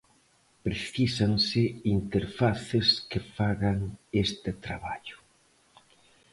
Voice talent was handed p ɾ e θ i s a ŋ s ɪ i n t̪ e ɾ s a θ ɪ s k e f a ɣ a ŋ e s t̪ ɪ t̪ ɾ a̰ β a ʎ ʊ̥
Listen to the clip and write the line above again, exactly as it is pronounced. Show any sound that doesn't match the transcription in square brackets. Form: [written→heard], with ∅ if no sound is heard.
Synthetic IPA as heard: p ɾ e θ i s a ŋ s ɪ i n t̪ e ɾ [s→f] a θ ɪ s k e f a ɣ a ŋ e s t̪ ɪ t̪ ɾ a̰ β a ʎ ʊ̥